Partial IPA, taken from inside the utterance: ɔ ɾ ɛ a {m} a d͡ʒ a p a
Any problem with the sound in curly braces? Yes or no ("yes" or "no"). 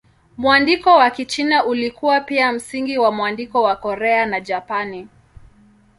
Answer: yes